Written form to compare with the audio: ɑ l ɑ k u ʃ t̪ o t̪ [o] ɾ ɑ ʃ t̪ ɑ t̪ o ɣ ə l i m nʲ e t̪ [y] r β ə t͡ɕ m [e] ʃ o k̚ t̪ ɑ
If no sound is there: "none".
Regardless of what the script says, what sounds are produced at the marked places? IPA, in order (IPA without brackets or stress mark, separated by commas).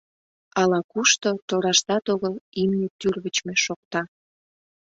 o, y, e